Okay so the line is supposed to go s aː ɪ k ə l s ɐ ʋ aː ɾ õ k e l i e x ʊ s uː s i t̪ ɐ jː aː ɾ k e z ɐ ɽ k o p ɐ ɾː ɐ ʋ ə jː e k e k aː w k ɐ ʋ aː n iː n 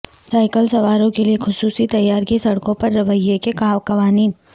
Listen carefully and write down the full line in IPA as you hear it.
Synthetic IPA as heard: s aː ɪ k ə l s ɐ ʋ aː ɾ õ k e l i e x ʊ s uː s i t̪ ɐ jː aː ɾ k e s ɐ ɽ k õ p ɐ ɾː ɐ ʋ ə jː e k e k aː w k ɐ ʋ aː n iː n